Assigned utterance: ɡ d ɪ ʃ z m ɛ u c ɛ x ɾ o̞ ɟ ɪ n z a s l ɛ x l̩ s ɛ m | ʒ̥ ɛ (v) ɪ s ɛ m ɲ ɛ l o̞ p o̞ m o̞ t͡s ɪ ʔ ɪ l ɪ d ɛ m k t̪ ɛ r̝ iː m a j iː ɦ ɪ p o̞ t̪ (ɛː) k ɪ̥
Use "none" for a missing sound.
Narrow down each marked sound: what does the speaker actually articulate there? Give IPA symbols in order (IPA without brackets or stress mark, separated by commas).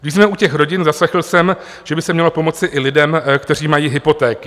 b, ɛː